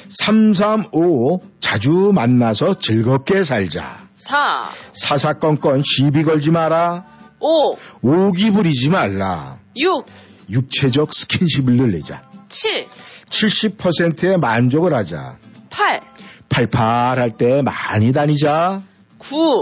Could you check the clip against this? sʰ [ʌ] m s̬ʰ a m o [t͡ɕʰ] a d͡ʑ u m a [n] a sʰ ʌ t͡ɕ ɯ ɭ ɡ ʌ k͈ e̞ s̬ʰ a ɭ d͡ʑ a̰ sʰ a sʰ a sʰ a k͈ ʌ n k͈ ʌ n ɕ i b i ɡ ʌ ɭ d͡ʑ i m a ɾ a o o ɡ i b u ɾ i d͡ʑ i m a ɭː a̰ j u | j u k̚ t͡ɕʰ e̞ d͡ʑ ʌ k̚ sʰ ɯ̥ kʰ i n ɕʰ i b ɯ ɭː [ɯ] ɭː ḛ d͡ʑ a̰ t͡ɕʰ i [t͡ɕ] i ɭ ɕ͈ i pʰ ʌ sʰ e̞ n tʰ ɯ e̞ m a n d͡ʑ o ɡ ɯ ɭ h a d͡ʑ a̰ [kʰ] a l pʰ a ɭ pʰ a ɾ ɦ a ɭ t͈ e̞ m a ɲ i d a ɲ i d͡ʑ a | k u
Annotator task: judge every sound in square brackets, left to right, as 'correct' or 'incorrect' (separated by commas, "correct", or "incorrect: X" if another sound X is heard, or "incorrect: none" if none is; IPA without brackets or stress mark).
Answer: incorrect: a, incorrect: t͡ɕ, incorrect: nː, correct, incorrect: t͡ɕʰ, incorrect: pʰ